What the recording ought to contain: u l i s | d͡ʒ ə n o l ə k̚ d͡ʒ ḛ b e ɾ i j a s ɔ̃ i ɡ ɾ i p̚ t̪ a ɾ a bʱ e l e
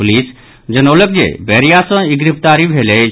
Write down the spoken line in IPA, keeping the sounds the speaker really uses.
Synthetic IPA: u l i s | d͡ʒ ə n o l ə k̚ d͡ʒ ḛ b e ɾ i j a s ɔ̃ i ɡ ɾ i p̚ t̪ a ɾ i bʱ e l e

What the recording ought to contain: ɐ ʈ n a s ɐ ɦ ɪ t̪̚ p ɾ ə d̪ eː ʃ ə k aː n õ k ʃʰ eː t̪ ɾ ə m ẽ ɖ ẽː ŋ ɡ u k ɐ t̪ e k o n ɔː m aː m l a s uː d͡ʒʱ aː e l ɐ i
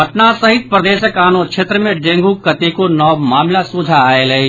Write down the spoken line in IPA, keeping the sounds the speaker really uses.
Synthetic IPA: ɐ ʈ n a s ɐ ɦ ɪ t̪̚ p ɾ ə d̪ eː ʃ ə k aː n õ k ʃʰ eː t̪ ɾ ə m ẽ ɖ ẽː ŋ ɡ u k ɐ t̪ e k o n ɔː m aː m l a s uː d͡ʒʱ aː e l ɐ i

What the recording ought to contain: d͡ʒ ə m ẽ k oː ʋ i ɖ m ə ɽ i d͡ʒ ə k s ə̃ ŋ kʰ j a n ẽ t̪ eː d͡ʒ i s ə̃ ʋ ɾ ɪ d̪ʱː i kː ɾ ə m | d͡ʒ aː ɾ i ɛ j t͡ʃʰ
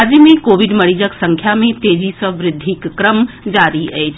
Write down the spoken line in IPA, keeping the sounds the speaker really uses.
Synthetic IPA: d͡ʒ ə m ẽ k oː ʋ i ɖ m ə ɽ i d͡ʒ ə k s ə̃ ŋ kʰ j a m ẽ t̪ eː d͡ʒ i s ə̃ ʋ ɾ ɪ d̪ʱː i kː ɾ ə m | d͡ʒ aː ɾ i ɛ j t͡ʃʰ

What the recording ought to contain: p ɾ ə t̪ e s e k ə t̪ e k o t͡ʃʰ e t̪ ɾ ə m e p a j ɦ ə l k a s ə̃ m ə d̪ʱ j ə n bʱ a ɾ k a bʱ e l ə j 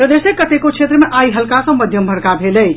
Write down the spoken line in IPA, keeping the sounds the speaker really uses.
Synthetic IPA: p ɾ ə d̪ e s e k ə t̪ e k o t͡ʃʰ e t̪ ɾ ə m e ʔ a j ɦ ə l k a s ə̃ m ə d̪ʱ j ə m bʱ ə ɾ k a bʱ e l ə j

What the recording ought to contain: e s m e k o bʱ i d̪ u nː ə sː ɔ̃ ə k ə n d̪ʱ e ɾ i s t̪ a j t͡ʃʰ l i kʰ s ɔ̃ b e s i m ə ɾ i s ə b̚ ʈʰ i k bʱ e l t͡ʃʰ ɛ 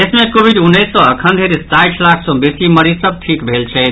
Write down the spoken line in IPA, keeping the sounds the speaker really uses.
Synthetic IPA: e s m e k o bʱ i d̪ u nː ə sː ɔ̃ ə kʰ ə n d̪ʱ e ɾ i s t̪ a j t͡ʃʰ l a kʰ s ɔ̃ b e s i m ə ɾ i s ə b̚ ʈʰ i k bʱ e l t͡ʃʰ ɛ

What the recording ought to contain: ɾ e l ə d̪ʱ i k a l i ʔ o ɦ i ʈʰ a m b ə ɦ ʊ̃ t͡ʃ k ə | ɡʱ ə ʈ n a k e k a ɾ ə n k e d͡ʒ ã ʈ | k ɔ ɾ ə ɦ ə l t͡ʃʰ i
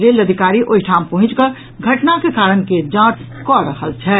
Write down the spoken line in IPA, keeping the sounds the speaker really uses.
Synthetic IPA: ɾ e l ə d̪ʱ i k a ɾ i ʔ o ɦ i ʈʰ a m p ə ɦ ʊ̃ t͡ʃ k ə | ɡʱ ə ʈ n a k e k a ɾ ə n k e d͡ʒ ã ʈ | k ɔ ɾ ə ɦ ə l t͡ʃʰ ɛ

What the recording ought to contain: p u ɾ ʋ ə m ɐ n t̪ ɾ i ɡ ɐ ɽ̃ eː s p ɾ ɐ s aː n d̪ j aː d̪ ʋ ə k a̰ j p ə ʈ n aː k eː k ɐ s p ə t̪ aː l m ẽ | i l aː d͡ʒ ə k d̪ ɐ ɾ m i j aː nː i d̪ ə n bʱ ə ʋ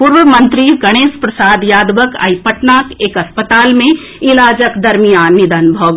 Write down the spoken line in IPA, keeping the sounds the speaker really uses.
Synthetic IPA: p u ɾ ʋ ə m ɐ n t̪ ɾ i ɡ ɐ ɽ̃ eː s p ɾ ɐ s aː d̪ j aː d̪ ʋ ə k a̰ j p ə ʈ n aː k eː k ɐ s p ə t̪ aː l m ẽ | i l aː d͡ʒ ə k d̪ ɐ ɾ m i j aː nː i d̪ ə n bʱ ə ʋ

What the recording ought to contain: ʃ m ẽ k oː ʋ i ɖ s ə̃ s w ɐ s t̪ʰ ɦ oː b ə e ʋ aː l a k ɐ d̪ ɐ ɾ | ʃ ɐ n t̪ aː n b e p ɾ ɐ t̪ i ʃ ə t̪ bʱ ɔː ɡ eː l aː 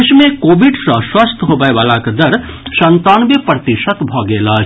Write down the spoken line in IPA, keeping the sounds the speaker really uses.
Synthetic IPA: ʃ m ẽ k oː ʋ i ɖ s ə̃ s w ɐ s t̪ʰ ɦ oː b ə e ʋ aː l a k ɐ d̪ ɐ ɾ | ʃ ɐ n t̪ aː n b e p ɾ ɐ t̪ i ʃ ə t̪ bʱ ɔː ɡ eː l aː

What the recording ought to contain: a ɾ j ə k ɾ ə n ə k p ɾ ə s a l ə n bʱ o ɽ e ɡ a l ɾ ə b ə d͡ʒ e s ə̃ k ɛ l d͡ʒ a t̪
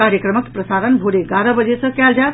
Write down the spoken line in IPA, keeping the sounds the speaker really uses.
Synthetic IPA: a ɾ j ə k ɾ ə m ə k p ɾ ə s a ɾ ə n bʱ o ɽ e ɡ a ɾ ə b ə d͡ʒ e s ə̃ k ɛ l d͡ʒ a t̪

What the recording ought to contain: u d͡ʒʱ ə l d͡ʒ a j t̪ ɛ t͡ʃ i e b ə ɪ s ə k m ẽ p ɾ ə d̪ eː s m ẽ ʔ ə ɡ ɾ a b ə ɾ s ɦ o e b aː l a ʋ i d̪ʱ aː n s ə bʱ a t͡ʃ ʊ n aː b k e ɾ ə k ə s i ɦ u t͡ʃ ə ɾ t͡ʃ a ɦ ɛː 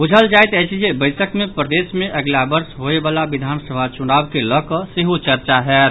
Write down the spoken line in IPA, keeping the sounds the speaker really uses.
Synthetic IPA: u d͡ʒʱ ə l d͡ʒ a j t̪ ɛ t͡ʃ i e b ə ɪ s ə k m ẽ p ɾ ə d̪ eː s m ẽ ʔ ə ɡ l a b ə ɾ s ɦ o e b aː l a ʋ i d̪ʱ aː n s ə bʱ a t͡ʃ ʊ n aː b k e l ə k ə s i ɦ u t͡ʃ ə ɾ t͡ʃ a ɦ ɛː

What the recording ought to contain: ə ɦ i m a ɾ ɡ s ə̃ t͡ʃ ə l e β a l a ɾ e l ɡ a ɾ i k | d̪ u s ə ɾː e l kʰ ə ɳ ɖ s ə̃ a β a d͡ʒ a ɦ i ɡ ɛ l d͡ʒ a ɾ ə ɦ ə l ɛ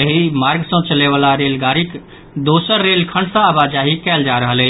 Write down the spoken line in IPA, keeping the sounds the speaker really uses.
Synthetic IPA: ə ɦ i m a ɾ ɡ s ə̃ t͡ʃ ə l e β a l a ɾ e l ɡ a ɾ i k | d̪ o s ə ɾː e l kʰ ə ɳ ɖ s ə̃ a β a d͡ʒ a ɦ i k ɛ l d͡ʒ a ɾ ə ɦ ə l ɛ

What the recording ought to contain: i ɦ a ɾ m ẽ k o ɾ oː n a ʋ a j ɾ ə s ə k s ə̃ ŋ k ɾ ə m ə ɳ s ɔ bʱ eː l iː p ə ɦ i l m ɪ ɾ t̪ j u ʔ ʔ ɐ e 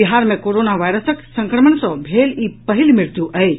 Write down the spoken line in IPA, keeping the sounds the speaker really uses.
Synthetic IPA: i ɦ a ɾ m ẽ k o ɾ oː n a ʋ a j ɾ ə s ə k s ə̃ ŋ k ɾ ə m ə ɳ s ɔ bʱ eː l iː p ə ɦ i l m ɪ ɾ t̪ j u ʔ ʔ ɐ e

